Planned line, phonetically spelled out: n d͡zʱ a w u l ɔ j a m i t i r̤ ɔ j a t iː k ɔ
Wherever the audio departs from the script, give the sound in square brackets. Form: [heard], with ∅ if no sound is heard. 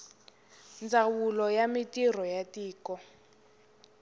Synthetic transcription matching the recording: n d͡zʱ a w u l ɔ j a m i t i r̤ ɔ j a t iː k ɔ